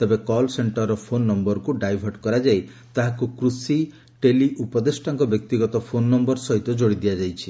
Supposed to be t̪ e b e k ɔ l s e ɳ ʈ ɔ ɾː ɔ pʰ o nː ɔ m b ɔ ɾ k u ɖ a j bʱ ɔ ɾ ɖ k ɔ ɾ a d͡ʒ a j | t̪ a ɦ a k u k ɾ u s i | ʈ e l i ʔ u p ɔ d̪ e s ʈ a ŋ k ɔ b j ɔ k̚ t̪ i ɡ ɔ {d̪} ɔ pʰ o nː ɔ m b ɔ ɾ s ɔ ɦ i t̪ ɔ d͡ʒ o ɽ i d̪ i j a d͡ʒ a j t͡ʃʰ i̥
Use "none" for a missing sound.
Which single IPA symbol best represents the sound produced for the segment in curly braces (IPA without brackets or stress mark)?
t̪